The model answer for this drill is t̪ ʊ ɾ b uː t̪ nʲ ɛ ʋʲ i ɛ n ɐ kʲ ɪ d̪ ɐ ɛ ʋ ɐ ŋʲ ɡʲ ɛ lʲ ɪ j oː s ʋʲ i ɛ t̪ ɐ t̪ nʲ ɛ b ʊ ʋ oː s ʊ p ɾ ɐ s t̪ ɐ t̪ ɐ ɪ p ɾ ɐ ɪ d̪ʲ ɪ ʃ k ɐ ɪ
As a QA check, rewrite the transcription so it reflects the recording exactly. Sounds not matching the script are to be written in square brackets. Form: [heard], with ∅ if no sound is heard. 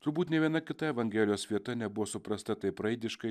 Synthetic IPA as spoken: t̪ ʊ ɾ b uː t̪ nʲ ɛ ʋʲ i ɛ n ɐ kʲ ɪ [t̪] ɐ ɛ ʋ ɐ ŋʲ ɡʲ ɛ lʲ ɪ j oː s ʋʲ i ɛ t̪ ɐ [∅] nʲ ɛ b ʊ ʋ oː s ʊ p ɾ ɐ s t̪ ɐ t̪ ɐ ɪ p ɾ ɐ ɪ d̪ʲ ɪ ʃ k ɐ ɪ